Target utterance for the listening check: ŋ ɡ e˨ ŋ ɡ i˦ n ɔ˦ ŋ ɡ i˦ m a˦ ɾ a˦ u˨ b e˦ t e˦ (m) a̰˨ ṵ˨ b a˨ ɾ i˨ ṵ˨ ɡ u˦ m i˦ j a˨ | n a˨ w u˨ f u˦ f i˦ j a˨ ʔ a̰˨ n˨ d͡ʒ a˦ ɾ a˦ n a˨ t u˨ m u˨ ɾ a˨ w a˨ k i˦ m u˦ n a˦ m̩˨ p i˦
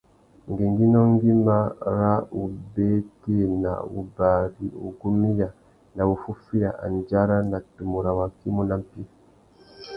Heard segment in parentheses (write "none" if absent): n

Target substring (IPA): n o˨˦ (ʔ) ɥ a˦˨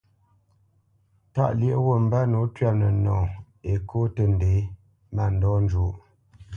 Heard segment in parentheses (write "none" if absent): t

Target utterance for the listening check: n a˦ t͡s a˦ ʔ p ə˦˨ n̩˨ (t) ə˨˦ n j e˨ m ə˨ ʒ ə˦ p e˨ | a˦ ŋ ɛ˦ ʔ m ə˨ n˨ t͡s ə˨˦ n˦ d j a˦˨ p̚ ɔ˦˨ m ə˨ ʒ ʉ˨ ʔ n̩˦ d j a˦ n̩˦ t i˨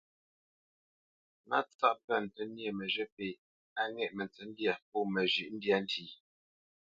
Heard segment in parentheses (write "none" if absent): t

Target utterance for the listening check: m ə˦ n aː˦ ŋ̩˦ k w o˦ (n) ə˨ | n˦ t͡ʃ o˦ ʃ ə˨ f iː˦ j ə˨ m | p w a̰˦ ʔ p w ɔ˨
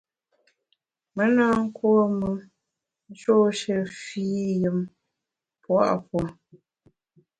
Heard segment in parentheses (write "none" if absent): m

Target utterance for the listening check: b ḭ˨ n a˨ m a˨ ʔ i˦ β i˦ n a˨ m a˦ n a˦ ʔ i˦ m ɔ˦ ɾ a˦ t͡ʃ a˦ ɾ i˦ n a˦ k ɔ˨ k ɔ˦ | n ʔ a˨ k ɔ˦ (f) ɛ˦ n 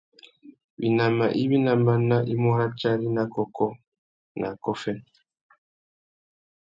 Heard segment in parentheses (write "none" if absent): f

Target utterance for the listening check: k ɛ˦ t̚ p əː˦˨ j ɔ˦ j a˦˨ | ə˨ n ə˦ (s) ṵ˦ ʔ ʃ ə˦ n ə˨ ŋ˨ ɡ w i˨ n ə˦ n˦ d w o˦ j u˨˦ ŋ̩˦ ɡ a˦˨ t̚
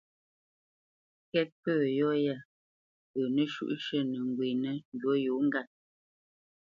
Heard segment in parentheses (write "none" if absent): ʃ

